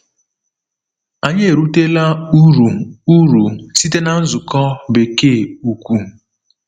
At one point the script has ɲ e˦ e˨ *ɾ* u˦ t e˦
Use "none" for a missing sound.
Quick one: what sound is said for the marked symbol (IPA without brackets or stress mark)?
ɾ